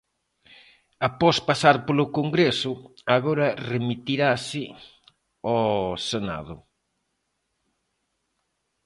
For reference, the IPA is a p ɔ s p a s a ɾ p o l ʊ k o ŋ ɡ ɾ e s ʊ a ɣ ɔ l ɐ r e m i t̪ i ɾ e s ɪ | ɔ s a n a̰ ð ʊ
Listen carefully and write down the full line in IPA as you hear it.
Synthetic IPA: a p ɔ s p a s a ɾ p o l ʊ k o ŋ ɡ ɾ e s ʊ a ɣ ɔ ɾ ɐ r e m i t̪ i ɾ a s ɪ | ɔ s e n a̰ ð ʊ

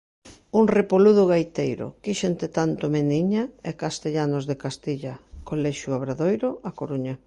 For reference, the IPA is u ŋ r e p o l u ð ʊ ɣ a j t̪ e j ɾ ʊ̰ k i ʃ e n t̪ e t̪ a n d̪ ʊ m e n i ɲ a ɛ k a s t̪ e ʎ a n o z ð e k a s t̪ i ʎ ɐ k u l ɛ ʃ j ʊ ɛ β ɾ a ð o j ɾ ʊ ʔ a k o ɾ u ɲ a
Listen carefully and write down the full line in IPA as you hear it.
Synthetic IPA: u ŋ r e p o l u ð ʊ ɣ a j t̪ e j ɾ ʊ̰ k i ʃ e n t̪ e t̪ a n t̪ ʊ m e n i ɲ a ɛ k a s t̪ e ʎ a n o z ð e k a s t̪ i ʎ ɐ k o l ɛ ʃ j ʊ a β ɾ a ð o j ɾ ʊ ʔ a k o ɾ u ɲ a

